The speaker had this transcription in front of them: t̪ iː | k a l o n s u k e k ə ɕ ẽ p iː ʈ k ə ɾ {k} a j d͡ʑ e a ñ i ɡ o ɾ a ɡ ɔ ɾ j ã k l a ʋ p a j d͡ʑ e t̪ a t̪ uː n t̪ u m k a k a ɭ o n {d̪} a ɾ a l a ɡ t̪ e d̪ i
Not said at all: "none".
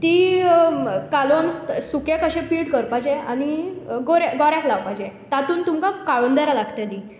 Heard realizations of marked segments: p, d̪

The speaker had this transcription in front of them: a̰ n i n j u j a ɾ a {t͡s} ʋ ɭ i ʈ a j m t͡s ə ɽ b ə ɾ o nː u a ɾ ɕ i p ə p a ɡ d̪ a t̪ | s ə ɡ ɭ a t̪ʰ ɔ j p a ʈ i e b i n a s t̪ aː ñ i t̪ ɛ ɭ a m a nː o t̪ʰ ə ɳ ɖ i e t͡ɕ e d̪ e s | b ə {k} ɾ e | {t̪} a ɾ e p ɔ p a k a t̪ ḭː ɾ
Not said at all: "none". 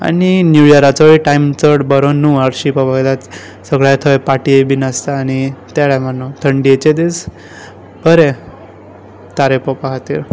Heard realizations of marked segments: t͡s, none, t̪

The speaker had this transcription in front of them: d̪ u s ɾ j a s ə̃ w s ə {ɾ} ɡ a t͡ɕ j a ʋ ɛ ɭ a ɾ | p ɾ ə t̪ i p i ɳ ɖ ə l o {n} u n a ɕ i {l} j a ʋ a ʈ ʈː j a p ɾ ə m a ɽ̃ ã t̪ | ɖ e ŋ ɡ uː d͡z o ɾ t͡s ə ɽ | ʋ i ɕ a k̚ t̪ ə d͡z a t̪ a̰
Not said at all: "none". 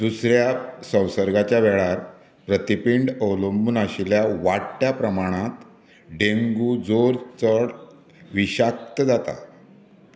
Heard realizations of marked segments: ɾ, m, l

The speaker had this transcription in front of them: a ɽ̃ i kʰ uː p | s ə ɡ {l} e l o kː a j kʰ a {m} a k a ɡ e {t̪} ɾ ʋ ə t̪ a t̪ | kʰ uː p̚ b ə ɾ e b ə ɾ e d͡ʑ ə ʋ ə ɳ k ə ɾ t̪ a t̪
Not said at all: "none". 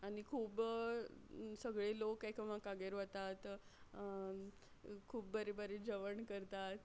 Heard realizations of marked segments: ɭ, m, none

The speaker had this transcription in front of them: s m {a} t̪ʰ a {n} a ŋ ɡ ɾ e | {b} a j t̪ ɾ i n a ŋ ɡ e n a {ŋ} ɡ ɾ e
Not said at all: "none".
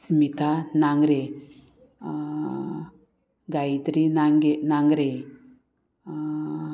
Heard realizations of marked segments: i, n, ɡ, ŋ

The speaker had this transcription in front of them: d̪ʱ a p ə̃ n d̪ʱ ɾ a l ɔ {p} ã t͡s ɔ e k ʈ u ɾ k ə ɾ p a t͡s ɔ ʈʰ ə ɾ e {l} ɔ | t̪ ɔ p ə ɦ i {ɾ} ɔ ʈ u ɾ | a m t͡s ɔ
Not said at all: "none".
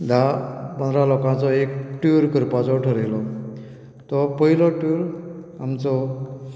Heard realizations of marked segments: k, l, l

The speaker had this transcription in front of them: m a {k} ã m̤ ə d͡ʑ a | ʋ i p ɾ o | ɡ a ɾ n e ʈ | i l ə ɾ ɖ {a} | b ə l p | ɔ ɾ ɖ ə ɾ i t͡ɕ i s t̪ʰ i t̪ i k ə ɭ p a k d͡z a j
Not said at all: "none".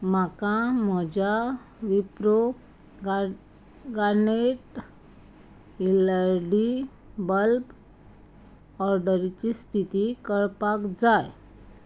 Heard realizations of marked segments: k, i

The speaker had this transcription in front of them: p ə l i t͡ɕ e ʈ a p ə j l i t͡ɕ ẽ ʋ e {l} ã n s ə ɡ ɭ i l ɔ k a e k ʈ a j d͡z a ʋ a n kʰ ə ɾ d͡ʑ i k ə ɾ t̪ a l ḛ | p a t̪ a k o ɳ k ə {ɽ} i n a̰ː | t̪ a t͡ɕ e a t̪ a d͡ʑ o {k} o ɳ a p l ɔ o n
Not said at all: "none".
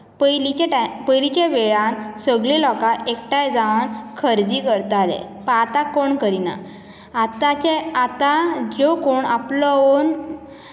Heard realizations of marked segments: ɭ, ɾ, k

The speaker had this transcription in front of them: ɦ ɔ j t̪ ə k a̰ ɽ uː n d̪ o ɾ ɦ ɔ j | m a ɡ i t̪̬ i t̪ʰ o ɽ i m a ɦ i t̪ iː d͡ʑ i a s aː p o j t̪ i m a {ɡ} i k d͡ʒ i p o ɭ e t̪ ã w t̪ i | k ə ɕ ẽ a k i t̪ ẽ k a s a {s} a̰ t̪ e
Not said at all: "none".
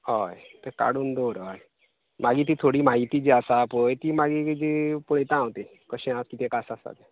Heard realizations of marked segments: ɡ, s

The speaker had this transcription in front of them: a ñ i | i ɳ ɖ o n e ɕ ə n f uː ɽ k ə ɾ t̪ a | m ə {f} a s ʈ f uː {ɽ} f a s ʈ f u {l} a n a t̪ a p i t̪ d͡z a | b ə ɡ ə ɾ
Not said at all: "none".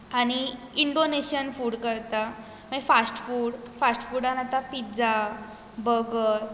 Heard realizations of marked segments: f, ɽ, ɽ

